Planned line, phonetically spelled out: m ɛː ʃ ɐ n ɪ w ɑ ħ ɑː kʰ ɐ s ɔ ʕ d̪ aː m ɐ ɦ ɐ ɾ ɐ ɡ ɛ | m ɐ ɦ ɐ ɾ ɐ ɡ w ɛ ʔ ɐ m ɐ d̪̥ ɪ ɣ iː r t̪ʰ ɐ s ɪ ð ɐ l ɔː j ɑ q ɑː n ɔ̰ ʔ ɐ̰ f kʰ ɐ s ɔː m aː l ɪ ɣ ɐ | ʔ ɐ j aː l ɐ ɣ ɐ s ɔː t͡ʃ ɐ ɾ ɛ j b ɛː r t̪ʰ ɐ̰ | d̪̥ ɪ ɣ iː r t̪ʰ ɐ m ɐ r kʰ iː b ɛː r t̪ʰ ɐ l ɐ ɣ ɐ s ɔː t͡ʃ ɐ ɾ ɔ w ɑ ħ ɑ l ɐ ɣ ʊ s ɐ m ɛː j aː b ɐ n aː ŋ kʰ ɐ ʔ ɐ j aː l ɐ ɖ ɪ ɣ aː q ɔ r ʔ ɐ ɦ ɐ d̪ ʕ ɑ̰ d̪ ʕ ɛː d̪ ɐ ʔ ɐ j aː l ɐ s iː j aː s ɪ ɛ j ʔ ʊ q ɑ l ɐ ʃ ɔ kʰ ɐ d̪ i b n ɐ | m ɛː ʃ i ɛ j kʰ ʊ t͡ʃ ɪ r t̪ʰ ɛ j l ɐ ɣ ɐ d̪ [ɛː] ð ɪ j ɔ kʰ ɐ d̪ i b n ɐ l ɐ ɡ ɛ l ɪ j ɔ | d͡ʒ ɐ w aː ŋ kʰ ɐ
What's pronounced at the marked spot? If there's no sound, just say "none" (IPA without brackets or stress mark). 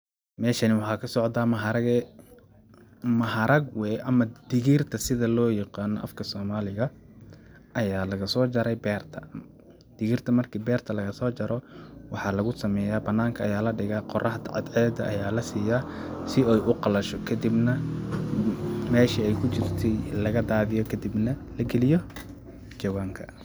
aː